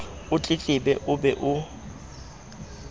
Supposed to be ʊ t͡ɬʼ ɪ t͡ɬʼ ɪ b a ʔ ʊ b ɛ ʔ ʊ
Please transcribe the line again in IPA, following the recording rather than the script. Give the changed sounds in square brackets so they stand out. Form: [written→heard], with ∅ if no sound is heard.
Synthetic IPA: ʊ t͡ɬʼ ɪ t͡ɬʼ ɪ b [a→ɛ] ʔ ʊ b ɛ ʔ ʊ